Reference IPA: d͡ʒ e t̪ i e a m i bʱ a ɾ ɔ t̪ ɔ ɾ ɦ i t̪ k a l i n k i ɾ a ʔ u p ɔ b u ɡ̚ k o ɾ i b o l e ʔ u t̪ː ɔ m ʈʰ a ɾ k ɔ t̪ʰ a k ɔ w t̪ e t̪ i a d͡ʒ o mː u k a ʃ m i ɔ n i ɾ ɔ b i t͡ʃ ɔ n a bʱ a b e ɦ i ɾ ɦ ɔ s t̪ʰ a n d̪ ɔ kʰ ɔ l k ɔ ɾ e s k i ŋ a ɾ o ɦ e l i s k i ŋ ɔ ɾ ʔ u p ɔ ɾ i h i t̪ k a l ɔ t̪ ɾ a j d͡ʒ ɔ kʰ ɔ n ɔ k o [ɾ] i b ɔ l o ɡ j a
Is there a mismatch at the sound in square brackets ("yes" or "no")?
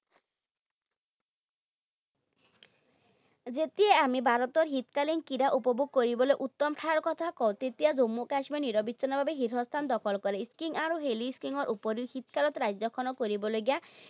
no